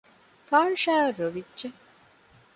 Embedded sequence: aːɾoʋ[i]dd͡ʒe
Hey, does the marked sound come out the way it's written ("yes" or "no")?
yes